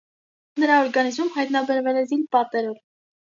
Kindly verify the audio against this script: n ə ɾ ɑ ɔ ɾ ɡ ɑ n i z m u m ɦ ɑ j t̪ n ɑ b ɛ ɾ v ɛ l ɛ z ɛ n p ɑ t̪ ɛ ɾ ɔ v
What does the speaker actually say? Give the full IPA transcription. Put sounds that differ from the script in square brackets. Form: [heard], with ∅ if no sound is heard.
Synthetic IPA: n ə ɾ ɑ ɔ ɾ ɡ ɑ n i z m u m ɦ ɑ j t̪ n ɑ b ɛ ɾ v ɛ l ɛ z [i] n p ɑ t̪ ɛ ɾ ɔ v

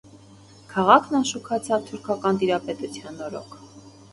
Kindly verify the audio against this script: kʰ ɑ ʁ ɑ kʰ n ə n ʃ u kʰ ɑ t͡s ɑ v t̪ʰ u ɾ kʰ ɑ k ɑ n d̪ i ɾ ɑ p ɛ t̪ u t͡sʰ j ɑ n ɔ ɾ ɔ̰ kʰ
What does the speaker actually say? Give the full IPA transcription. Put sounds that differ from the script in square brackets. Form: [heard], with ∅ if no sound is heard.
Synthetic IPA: kʰ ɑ ʁ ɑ kʰ n [ɑ] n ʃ u kʰ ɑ [t͡sʰ] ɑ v t̪ʰ u ɾ kʰ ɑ k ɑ n [t̪] i ɾ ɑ p ɛ t̪ u t͡sʰ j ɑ n ɔ ɾ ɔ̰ kʰ

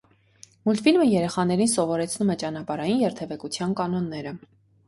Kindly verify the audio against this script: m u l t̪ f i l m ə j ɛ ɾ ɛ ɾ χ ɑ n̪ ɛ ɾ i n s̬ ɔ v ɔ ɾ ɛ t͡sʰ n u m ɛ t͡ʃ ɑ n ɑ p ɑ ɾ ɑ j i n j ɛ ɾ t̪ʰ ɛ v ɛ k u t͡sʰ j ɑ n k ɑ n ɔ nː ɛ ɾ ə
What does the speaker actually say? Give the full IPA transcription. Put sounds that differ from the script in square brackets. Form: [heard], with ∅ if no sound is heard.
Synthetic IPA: m u l t̪ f i l m ə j ɛ ɾ ɛ [∅] χ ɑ n̪ ɛ ɾ i n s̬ ɔ v ɔ ɾ ɛ t͡sʰ n u m ɛ t͡ʃ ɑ n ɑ p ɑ ɾ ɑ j i n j ɛ ɾ t̪ʰ ɛ v ɛ k u t͡sʰ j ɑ n k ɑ n ɔ nː ɛ ɾ ə

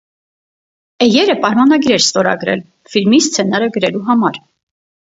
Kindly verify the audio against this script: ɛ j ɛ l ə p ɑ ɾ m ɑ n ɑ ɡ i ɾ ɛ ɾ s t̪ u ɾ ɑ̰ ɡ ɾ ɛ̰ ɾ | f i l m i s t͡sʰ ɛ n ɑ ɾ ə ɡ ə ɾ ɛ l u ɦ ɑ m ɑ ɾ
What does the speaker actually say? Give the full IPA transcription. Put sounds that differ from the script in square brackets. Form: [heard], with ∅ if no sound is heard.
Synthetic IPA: ɛ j ɛ [ɾ] ə p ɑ ɾ m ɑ n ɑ ɡ i ɾ ɛ ɾ s t̪ [ɔ] ɾ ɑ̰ ɡ ɾ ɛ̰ [l] | f i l m i s t͡sʰ ɛ n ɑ ɾ ə ɡ ə ɾ ɛ l u ɦ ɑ m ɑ ɾ

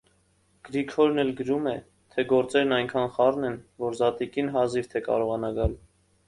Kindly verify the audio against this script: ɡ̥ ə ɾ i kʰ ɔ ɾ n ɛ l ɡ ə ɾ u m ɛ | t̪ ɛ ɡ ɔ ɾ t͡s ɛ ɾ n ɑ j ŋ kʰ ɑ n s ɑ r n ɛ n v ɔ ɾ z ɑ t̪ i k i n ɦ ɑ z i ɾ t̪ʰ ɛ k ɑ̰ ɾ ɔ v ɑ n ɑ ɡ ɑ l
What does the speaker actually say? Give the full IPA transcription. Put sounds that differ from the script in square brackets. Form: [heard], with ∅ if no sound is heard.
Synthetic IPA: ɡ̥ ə ɾ i kʰ ɔ ɾ n ɛ l ɡ ə ɾ u m ɛ | [t̪ʰ] ɛ ɡ ɔ ɾ t͡s ɛ ɾ n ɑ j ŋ kʰ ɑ n [χ] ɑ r n ɛ n v ɔ ɾ z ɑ t̪ i k i n ɦ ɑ z i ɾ t̪ʰ ɛ k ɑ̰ ɾ ɔ [ʁ] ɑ n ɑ ɡ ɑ l

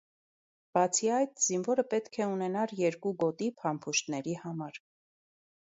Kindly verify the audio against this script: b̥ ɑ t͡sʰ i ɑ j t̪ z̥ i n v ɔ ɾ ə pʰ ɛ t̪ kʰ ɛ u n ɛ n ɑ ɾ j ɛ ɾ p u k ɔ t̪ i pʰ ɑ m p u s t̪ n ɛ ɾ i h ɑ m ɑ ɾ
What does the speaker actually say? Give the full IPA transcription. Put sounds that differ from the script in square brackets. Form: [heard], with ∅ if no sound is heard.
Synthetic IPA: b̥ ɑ t͡sʰ i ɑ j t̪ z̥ i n v ɔ ɾ ə [p] ɛ t̪ kʰ ɛ u n ɛ n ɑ ɾ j ɛ ɾ [k] u [ɡ] ɔ t̪ i pʰ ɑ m [pʰ] u [ʃ] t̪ n ɛ ɾ i h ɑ m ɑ ɾ

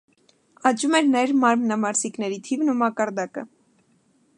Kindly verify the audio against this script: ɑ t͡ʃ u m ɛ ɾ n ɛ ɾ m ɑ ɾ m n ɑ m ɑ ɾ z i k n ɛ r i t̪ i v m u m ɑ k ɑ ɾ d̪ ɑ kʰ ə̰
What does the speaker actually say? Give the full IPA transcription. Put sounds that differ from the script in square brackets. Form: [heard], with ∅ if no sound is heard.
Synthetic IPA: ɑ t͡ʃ u m ɛ ɾ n ɛ ɾ m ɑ ɾ m n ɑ m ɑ ɾ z i k n ɛ [ɾ] i [t̪ʰ] i v [n] u m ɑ k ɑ ɾ d̪ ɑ [k] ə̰

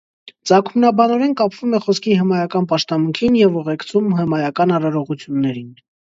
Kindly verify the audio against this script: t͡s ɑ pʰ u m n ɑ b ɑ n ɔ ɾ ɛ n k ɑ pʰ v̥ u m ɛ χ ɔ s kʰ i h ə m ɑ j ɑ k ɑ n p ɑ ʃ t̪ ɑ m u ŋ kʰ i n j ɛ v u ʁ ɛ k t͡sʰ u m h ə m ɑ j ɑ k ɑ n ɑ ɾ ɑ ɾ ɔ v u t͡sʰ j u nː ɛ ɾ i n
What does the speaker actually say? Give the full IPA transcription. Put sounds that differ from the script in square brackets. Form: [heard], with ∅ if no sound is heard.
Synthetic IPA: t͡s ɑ [kʰ] u m n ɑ b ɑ n ɔ ɾ ɛ n k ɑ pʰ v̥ u m ɛ χ ɔ s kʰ i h ə m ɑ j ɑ k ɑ n p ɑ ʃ t̪ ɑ m u ŋ kʰ i n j ɛ v u ʁ ɛ k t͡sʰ u m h ə m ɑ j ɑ k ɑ n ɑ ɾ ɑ ɾ ɔ [ʁ] u t͡sʰ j u nː ɛ ɾ i n

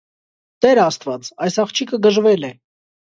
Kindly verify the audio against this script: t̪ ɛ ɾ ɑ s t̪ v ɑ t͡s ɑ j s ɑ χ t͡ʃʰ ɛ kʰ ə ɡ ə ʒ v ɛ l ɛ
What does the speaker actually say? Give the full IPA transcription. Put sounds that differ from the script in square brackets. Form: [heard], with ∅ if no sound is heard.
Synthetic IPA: t̪ ɛ ɾ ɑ s t̪ v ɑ t͡s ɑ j s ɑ χ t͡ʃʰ [i] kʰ ə ɡ ə ʒ v ɛ l ɛ

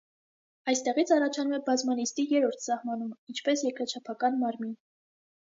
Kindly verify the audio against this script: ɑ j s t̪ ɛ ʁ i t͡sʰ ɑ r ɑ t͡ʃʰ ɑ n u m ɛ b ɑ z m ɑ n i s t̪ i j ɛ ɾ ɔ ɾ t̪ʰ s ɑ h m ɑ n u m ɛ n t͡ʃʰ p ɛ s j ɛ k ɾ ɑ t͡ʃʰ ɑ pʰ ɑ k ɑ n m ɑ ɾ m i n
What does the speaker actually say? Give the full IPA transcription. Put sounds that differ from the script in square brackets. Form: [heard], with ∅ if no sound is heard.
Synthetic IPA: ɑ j s t̪ ɛ ʁ i t͡sʰ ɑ r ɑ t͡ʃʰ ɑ n u m ɛ b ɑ z m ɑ n i s t̪ i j ɛ ɾ ɔ ɾ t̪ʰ s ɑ h m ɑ n u m [i] n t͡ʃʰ p ɛ s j ɛ k ɾ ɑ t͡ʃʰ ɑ pʰ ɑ k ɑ n m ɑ ɾ m i n

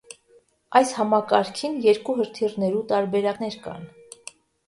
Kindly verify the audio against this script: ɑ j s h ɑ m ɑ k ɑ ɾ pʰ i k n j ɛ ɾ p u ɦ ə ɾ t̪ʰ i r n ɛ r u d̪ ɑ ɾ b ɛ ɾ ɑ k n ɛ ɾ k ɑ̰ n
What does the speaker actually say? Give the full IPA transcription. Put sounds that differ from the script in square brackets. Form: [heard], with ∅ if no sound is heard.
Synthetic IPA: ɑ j s h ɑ m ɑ k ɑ ɾ [kʰ] i [∅] n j ɛ ɾ [k] u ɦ ə ɾ t̪ʰ i r n ɛ [ɾ] u [t̪] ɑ ɾ b ɛ ɾ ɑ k n ɛ ɾ k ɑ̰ n

